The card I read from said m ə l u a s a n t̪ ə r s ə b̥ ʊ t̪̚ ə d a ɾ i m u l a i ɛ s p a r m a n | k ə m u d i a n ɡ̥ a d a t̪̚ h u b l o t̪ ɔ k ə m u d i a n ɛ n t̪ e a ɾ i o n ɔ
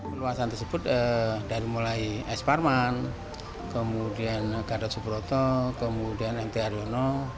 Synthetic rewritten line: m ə l u a s a n t̪ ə r s ə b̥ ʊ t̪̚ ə d a ɾ i m u l a i ɛ s p a r m a n | k ə m u d i a n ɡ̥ a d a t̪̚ s u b ɾ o t̪ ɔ k ə m u d i a n ɛ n t̪ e a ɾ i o n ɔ